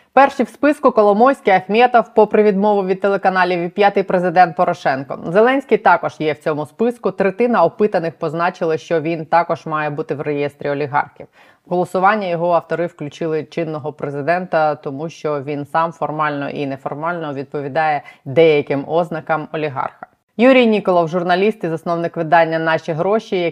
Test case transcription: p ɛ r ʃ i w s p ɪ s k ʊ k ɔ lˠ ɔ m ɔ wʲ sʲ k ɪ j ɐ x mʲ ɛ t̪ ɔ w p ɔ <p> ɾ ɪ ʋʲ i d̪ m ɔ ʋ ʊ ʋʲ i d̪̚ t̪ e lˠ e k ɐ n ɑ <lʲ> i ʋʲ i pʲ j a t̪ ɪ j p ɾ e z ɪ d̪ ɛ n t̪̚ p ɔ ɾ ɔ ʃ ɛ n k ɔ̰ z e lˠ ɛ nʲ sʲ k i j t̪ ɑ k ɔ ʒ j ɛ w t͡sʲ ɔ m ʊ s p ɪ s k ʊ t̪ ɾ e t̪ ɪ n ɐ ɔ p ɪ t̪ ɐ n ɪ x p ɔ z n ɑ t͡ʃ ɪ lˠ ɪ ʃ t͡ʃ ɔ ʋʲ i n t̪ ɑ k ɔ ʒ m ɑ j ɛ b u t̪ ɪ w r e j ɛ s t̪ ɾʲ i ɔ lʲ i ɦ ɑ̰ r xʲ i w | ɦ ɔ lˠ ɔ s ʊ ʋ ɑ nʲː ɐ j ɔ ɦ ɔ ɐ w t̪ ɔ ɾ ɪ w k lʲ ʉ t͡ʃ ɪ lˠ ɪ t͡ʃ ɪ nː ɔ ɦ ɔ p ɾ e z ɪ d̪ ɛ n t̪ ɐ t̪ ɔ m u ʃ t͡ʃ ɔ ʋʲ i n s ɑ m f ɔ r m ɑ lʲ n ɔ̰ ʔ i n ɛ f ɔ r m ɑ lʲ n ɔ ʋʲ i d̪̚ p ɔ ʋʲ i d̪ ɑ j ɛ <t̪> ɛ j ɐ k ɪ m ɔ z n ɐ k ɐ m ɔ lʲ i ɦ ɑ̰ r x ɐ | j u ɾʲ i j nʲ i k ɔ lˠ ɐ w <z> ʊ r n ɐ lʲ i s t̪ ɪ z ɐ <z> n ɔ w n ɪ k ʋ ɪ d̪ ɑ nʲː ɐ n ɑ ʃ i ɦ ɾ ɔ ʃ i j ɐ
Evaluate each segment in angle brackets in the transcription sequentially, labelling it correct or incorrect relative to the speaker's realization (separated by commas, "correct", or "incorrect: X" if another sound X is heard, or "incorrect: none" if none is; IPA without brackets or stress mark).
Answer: correct, correct, incorrect: d̪, incorrect: ʒ, incorrect: s